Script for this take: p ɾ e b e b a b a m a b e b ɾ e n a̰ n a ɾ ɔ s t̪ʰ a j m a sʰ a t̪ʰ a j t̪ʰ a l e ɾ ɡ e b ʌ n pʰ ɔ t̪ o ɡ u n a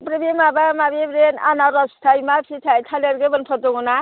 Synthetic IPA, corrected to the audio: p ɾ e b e m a b a m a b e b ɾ e n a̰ n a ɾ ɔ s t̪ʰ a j m a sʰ i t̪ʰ a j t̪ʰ a l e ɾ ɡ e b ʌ n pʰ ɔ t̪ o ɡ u n a